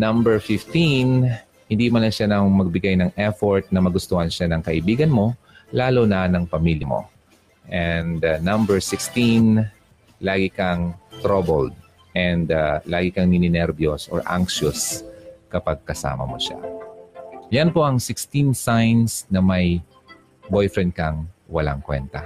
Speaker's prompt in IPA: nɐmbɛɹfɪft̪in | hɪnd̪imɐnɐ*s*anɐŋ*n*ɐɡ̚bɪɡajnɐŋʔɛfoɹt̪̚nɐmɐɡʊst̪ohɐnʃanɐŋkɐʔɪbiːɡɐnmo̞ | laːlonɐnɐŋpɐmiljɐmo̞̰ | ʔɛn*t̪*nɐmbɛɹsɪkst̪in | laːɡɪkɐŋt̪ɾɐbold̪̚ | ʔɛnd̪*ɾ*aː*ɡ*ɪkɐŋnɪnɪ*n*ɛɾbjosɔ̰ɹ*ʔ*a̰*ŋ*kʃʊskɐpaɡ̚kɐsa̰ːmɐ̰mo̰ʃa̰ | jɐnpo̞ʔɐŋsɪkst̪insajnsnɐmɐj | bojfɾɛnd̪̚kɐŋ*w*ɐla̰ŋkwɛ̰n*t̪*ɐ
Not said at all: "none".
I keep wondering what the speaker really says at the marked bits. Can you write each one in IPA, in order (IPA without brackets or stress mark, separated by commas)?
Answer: ʃ, m, d̪, l, ɡ, n, ʔ, ŋ, w, t̪